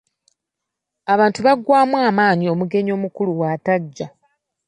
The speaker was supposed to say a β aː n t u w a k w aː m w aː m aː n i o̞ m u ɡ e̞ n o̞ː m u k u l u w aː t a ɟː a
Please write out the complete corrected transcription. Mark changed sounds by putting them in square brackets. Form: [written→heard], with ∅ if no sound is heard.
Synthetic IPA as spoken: a β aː n t u [w→β] a [k→ɡ] w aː m w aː m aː [n→ɲ] i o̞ m u ɡ e̞ [n→ɲ] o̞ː m u k u l u w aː t a ɟː a